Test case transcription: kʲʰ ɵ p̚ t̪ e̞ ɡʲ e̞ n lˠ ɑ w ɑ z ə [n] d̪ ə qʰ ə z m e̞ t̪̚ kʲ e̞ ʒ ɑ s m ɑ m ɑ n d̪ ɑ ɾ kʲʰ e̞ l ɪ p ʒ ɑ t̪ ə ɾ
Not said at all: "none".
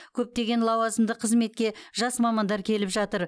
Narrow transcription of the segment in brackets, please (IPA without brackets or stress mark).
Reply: m